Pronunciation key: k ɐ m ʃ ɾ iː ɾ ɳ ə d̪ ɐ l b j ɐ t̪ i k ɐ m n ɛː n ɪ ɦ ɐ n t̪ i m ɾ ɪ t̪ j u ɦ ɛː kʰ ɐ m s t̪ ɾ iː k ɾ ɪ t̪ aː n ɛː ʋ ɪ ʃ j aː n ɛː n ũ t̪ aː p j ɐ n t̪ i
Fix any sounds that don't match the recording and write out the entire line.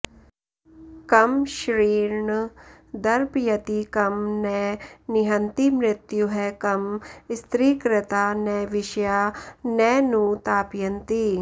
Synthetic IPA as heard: k ɐ m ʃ ɾ iː ɾ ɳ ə d̪ ɐ ɾ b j ɐ t̪ i k ɐ m n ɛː n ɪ ɦ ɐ n t̪ i m ɾ ɪ t̪ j u ɦ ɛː k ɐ m s t̪ ɾ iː k ɾ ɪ t̪ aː n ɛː ʋ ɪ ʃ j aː n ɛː n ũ t̪ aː p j ɐ n t̪ i